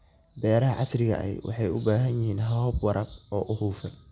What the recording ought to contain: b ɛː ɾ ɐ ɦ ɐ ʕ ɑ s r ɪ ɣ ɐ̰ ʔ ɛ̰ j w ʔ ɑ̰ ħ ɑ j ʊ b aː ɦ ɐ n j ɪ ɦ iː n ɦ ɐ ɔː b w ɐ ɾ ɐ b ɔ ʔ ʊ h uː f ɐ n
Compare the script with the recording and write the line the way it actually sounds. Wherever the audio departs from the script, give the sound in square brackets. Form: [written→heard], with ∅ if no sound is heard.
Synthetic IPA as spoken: b ɛː ɾ ɐ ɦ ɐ ʕ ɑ s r ɪ ɣ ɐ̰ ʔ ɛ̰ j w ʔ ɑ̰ ħ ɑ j ʊ b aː ɦ ɐ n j ɪ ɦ iː n ɦ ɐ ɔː b w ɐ ɾ ɐ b [ɔ→ɔː] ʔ ʊ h uː f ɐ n